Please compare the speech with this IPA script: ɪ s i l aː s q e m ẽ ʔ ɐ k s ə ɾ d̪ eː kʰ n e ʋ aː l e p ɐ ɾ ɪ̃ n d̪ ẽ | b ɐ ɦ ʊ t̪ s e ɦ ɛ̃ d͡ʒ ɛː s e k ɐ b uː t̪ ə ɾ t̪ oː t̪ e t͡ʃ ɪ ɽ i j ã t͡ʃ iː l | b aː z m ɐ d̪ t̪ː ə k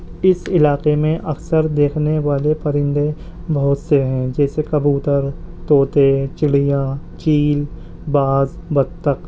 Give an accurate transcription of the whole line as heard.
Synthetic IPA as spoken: ɪ s ɪ l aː q e m ẽ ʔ ɐ k s ə ɾ d̪ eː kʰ n e ʋ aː l e p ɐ ɾ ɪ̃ n d̪ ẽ | b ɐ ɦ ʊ t̪ s e ɦ ɛ̃ d͡ʒ ɛː s e k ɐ b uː t̪ ə ɾ t̪ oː t̪ e t͡ʃ ɪ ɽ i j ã t͡ʃ iː l | b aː z b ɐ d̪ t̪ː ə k